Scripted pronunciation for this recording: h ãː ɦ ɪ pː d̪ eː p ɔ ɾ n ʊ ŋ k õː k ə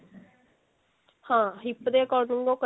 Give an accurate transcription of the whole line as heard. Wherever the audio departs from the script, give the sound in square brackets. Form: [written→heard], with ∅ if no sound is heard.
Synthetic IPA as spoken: h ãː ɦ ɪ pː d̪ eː [p→k] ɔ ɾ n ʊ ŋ [k→ɡ] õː k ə